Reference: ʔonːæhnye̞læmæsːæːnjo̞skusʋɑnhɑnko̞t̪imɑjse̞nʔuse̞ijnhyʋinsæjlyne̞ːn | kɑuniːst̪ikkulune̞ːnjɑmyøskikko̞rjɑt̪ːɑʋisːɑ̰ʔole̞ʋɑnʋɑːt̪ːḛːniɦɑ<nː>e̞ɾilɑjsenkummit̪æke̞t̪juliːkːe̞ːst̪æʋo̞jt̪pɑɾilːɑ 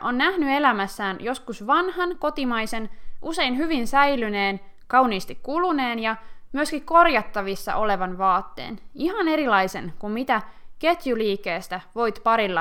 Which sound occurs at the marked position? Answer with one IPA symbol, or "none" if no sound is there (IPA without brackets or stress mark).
n